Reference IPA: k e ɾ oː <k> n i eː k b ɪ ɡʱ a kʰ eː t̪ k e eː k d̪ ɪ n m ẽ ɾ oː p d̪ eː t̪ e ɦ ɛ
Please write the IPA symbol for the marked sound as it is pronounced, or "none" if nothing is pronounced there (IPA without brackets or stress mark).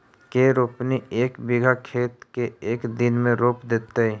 p